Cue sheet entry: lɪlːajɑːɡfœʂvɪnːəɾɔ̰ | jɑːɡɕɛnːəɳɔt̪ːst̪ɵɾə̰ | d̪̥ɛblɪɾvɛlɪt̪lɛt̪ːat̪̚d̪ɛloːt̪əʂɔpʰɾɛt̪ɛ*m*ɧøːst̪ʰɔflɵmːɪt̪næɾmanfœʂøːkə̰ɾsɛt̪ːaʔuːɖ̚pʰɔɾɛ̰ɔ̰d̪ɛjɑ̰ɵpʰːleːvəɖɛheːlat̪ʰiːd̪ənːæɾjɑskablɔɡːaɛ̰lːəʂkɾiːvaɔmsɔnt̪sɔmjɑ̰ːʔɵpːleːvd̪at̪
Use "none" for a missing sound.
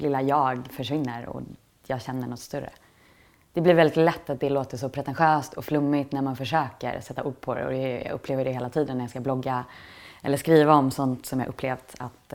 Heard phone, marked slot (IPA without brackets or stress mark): n